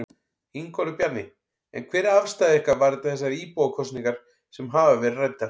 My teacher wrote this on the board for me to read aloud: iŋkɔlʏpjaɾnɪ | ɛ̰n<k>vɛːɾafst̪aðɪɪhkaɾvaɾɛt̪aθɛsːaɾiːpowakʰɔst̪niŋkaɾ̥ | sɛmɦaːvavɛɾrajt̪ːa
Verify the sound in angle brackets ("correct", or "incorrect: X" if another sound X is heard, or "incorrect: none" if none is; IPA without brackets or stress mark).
incorrect: kʰ